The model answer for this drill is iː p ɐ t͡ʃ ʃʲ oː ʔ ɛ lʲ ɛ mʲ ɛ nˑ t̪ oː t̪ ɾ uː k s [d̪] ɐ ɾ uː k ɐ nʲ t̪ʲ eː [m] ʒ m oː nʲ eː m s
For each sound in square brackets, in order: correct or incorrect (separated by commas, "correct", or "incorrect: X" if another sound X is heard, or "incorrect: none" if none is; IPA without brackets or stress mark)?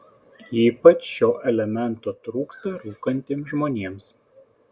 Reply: incorrect: t̪, correct